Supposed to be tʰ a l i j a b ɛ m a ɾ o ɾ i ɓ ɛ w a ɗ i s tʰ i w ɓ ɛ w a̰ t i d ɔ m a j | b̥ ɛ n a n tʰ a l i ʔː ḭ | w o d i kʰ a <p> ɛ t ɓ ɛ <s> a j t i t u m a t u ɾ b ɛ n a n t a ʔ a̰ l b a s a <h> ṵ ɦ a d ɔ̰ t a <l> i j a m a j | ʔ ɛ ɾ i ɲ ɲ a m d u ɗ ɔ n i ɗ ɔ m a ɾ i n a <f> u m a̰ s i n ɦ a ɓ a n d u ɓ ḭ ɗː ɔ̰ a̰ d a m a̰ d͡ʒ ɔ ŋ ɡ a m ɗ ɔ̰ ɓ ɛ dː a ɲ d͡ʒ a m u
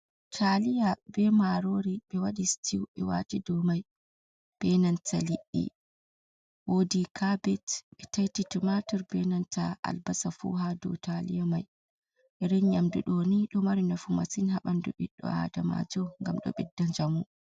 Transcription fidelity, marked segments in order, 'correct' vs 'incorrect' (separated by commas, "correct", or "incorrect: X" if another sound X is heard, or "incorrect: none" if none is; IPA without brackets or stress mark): incorrect: b, incorrect: t, incorrect: f, correct, correct